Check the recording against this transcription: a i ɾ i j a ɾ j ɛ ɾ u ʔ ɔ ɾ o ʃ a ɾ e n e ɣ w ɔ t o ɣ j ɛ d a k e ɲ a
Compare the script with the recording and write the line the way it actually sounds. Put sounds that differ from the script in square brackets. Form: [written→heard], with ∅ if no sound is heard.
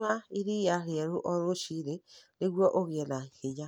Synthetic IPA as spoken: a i ɾ i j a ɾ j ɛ ɾ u ʔ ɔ ɾ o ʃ [a→i] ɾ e n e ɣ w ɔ [t→ʔ] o ɣ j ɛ [d→n] a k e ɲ a